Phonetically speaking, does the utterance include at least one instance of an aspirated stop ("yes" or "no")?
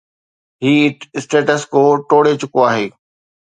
no